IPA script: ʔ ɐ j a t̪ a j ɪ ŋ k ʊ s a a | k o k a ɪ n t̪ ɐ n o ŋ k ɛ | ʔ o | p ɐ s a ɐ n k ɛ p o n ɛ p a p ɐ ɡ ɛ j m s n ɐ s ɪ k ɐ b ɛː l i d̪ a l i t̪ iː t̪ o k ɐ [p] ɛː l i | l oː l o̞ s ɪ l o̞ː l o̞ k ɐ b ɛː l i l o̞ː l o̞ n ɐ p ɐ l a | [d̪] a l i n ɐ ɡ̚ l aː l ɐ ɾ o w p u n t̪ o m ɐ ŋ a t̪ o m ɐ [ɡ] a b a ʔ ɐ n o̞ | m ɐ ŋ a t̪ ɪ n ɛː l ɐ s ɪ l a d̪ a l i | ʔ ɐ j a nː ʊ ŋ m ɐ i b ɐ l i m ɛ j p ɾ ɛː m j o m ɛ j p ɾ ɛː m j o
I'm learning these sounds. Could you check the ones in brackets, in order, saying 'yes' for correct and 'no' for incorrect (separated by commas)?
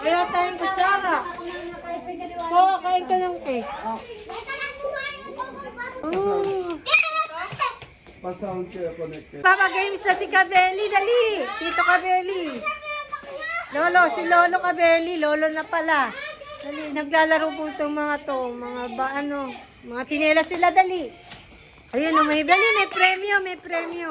no, yes, no